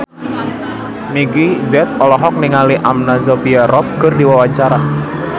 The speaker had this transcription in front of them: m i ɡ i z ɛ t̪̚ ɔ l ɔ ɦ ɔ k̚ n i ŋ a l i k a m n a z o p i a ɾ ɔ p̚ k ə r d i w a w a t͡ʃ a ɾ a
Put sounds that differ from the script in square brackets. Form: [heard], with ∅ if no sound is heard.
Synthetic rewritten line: m i ɡ i z ɛ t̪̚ ɔ l ɔ ɦ ɔ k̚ n i ŋ a l i [ʔ] a m n a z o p i a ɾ ɔ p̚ k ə r d i w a w a t͡ʃ a ɾ a